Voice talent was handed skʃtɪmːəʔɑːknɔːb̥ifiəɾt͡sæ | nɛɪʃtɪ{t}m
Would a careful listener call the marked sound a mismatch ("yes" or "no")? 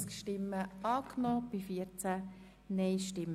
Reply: yes